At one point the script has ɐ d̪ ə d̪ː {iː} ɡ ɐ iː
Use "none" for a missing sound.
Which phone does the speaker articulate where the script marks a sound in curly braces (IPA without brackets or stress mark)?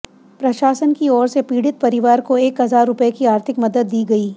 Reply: iː